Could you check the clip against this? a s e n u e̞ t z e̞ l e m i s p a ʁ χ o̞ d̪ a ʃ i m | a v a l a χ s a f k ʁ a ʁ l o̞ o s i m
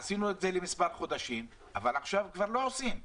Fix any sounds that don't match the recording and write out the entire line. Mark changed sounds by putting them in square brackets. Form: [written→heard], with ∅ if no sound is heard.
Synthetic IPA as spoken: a s [e→i] n u e̞ t z e̞ l e m i s p a ʁ χ o̞ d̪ a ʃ i m | a v a l a χ [s→ʃ] a [f→v] k [ʁ→v] a ʁ l o̞ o s i m